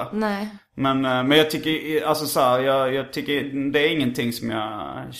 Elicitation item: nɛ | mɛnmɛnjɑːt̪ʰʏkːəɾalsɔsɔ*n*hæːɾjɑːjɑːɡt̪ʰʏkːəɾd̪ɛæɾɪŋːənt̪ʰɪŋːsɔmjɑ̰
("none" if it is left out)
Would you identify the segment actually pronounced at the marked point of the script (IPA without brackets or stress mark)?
none